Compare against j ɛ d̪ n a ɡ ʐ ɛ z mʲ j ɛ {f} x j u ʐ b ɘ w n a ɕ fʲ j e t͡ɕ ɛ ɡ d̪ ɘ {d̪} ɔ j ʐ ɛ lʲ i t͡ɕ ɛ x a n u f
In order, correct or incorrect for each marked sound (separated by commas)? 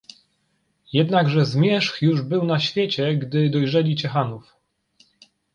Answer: incorrect, correct